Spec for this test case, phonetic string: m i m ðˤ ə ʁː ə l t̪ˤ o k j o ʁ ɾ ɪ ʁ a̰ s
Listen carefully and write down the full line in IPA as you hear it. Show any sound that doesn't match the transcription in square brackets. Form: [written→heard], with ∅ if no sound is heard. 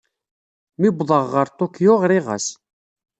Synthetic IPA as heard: m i [m→b] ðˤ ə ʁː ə [l→ɾ] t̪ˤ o k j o ʁ ɾ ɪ ʁ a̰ s